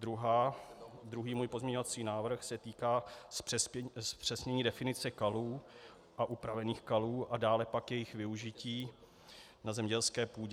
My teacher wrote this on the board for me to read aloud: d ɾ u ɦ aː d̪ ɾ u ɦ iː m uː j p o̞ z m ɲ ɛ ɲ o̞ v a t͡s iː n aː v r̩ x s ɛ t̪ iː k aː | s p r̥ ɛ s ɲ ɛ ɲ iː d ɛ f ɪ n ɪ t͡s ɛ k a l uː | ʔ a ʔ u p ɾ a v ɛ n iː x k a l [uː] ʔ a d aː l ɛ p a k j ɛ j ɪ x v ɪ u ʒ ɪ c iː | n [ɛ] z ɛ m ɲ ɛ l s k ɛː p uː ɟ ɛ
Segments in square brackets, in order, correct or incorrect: correct, incorrect: a

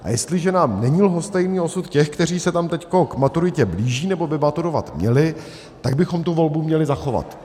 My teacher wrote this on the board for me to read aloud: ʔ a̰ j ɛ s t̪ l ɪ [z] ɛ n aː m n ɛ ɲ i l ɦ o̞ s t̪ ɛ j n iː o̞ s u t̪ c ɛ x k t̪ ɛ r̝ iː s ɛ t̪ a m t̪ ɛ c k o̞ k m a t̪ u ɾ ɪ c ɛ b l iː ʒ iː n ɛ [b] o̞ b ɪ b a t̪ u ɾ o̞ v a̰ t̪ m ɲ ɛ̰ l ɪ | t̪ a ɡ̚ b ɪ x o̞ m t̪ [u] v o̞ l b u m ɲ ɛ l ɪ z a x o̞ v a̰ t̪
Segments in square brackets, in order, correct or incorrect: incorrect: ʒ, correct, correct

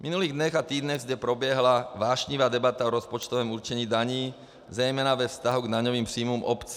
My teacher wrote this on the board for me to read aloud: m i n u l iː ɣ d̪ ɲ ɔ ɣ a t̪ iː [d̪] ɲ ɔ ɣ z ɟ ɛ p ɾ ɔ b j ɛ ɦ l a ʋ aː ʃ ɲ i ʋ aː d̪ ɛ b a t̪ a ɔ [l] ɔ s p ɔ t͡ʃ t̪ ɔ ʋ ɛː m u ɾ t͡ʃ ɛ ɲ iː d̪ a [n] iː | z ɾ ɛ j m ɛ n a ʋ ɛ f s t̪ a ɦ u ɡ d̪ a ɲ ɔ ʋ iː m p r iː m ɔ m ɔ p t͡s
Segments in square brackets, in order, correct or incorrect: correct, incorrect: ɾ, incorrect: ɲ

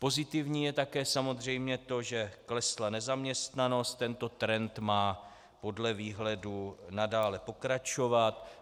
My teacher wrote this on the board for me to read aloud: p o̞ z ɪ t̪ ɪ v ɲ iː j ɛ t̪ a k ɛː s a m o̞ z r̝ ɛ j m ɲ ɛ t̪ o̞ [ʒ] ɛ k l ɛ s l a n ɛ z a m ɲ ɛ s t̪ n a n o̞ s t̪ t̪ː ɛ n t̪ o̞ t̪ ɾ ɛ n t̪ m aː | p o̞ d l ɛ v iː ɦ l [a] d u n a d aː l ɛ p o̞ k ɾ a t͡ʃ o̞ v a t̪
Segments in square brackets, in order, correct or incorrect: correct, incorrect: ɛ

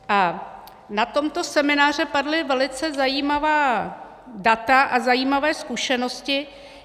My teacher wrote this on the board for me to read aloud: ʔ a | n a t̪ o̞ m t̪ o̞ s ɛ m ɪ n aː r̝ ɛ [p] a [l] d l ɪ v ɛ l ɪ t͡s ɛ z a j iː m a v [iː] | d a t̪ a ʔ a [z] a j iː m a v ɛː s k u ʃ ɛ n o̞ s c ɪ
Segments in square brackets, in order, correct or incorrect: correct, incorrect: none, incorrect: aː, correct

